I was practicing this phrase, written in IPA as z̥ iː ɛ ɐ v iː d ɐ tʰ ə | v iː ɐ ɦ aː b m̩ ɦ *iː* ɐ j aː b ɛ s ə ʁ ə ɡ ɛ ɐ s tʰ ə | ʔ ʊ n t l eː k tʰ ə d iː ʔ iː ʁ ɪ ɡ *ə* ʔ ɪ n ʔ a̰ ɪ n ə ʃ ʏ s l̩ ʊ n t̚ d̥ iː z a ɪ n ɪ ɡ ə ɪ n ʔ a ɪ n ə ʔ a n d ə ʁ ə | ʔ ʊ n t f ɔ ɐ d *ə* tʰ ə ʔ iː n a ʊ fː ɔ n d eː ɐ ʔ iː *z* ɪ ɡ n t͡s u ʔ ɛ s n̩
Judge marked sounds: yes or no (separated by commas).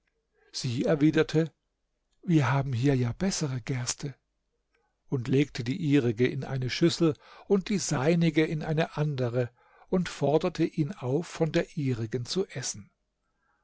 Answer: yes, yes, no, no